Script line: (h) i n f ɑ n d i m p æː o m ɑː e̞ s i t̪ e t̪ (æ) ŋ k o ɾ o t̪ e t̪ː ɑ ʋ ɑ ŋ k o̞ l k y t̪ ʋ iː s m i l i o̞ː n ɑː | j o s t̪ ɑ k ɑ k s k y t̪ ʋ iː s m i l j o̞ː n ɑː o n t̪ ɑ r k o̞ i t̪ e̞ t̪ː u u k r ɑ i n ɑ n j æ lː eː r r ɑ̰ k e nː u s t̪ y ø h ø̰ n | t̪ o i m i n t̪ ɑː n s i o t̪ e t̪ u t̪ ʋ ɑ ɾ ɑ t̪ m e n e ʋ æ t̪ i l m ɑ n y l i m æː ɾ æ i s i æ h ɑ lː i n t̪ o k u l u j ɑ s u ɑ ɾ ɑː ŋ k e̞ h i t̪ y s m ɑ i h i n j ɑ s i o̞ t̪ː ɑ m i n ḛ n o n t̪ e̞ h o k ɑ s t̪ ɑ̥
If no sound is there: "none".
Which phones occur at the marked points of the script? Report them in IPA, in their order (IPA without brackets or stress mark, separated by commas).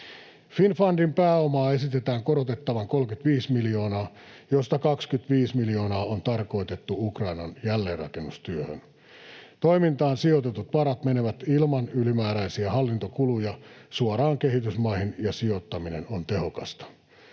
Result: f, æː